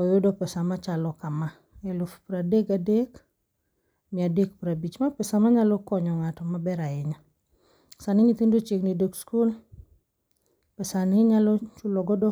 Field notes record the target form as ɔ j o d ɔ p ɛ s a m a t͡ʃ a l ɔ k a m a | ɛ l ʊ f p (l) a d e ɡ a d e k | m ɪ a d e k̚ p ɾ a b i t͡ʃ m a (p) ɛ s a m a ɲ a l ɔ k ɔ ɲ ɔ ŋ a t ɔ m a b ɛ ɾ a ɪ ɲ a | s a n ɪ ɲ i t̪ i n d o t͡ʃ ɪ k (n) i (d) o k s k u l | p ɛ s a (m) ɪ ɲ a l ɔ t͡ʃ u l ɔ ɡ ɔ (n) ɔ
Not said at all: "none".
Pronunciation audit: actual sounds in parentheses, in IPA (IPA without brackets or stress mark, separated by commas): ɾ, p, n, d, n, d